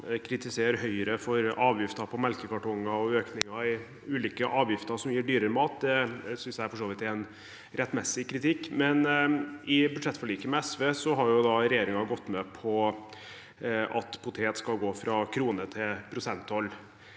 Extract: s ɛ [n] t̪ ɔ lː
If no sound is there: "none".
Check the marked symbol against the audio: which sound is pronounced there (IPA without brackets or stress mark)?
n